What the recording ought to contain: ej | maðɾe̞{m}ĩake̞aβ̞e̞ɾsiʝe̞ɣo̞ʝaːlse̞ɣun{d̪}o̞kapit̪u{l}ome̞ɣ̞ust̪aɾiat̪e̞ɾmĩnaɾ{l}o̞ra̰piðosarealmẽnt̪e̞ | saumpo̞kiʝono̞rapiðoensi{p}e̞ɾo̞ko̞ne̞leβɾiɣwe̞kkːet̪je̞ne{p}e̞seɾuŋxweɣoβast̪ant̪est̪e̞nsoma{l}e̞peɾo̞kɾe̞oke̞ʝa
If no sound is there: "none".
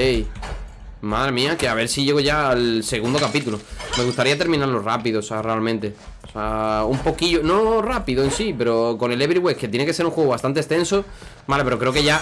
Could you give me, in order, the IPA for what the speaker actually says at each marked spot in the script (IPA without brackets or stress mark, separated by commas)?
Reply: m, d̪, l, l, p, k, l